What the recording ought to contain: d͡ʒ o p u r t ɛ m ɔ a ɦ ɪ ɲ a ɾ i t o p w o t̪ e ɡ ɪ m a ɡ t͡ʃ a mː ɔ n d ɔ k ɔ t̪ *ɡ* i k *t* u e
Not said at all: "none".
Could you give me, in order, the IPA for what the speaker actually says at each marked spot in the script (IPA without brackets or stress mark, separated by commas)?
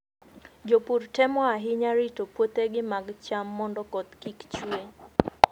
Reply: k, t͡ʃ